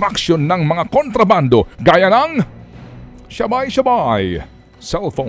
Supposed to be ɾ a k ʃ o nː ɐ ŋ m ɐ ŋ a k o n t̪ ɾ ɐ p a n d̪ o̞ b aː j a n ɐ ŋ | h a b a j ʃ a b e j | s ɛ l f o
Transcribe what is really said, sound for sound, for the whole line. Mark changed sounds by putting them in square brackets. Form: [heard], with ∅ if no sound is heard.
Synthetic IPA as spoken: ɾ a k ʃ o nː ɐ ŋ m ɐ ŋ a k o n t̪ ɾ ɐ [b] a n d̪ o̞ [ɡ] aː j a n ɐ ŋ | [ʃ] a b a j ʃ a b [a] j | s ɛ l f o